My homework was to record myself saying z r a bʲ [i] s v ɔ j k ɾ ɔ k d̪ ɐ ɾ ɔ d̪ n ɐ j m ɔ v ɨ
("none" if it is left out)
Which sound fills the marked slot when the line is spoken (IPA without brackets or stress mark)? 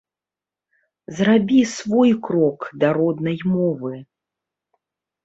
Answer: i